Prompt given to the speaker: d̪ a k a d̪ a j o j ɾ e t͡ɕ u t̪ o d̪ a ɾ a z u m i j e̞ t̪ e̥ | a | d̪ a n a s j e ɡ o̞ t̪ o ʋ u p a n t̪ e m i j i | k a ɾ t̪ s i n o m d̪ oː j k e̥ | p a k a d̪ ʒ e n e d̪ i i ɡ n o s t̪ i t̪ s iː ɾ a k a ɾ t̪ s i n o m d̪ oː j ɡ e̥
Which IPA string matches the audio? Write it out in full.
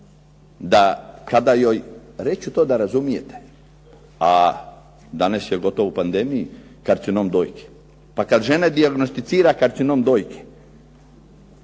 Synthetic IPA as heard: d̪ a k a d̪ a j o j ɾ e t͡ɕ u t̪ o d̪ a ɾ a z u m i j e̞ t̪ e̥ | a | d̪ a n a s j e ɡ o̞ t̪ o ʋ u p a n d̪ e m i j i | k a ɾ t̪ s i n o m d̪ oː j k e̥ | p a k a d̪ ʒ e n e d̪ i a ɡ n o s t̪ i t̪ s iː ɾ a k a ɾ t̪ s i n o m d̪ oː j k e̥